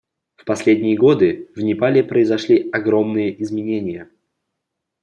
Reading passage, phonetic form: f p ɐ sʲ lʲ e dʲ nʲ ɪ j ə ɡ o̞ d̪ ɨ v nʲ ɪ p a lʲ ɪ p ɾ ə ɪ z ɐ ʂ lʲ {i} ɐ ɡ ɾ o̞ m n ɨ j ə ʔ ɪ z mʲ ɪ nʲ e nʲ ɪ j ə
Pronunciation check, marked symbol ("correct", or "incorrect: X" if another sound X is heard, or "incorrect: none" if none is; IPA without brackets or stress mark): correct